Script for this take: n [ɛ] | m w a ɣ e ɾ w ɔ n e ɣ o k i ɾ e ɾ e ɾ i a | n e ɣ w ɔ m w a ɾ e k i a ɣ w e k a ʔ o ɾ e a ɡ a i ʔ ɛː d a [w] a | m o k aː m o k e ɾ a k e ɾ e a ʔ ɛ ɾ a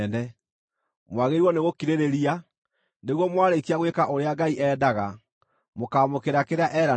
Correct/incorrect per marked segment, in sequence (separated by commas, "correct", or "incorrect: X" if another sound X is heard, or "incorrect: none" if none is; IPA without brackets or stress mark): correct, incorrect: ɣ